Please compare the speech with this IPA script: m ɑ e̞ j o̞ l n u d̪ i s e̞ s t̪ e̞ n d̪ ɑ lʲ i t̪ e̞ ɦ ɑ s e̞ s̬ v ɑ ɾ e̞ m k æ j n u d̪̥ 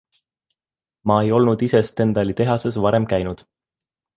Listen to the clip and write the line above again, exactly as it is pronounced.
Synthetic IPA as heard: m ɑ e̞ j o̞ l n u d̪ i s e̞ s t̪ e̞ n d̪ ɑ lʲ i t̪ e̞ ɦ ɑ s e̞ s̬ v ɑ ɾ e̞ m k æ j n u d̪̥